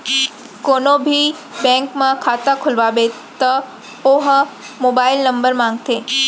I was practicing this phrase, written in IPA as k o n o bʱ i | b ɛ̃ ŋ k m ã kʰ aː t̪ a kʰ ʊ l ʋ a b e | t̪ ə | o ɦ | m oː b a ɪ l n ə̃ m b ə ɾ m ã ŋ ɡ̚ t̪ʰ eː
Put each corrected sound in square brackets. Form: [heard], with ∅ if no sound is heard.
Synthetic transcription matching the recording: k o n o bʱ i | b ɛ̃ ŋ k m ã kʰ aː t̪ a kʰ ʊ l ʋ a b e | t̪ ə | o ɦ | m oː b a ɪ l n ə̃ m b ə ɾ m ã ŋ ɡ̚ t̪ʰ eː